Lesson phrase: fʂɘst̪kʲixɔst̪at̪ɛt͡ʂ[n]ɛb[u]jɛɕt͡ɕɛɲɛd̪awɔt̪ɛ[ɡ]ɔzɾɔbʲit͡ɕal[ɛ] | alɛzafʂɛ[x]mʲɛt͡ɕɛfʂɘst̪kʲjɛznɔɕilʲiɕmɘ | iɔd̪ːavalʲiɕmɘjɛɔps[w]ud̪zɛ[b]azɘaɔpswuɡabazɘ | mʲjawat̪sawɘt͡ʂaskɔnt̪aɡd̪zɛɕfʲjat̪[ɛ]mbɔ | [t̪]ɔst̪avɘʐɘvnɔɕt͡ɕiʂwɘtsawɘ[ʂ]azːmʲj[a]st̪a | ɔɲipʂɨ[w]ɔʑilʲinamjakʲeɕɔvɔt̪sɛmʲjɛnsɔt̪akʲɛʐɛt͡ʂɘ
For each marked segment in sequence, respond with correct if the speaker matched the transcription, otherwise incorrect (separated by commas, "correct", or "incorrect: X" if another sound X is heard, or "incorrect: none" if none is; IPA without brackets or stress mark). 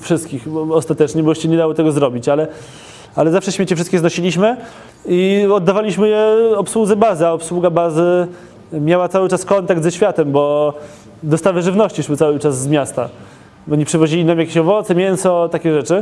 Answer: incorrect: ɲ, incorrect: ɔ, correct, correct, incorrect: ɕ, correct, correct, correct, incorrect: d̪, incorrect: t͡ʂ, correct, incorrect: v